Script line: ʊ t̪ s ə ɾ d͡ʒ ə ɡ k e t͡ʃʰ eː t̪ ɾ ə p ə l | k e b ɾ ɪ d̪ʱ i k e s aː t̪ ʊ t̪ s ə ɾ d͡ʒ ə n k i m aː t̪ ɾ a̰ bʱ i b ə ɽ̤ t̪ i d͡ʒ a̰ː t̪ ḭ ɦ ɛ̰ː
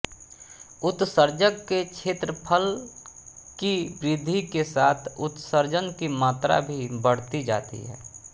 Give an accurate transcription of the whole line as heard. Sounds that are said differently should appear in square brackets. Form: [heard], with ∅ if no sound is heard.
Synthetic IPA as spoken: ʊ t̪ s ə ɾ d͡ʒ ə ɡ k e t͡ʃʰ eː t̪ ɾ ə [pʰ] ə l | k [i] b ɾ ɪ d̪ʱ i k e s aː [t̪ʰ] ʊ t̪ s ə ɾ d͡ʒ ə n k i m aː t̪ ɾ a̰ bʱ i b ə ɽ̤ t̪ i d͡ʒ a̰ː t̪ ḭ ɦ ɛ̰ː